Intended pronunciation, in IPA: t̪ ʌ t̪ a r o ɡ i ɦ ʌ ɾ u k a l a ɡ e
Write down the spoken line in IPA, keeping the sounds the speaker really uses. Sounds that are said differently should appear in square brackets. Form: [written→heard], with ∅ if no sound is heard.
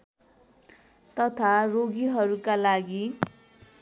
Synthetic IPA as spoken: t̪ ʌ [t̪→t̪ʰ] a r o ɡ i ɦ ʌ ɾ u k a l a ɡ [e→i]